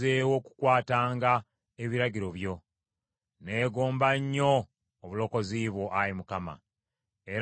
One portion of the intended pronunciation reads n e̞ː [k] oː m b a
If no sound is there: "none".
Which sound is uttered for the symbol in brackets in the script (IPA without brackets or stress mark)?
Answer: ɡ